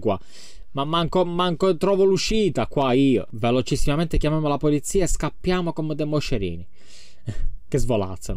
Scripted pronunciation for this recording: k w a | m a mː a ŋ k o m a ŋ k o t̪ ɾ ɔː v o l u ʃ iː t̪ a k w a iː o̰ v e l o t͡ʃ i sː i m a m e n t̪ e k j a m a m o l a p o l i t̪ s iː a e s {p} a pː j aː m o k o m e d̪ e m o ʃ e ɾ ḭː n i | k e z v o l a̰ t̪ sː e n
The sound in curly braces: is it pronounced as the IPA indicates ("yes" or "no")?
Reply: no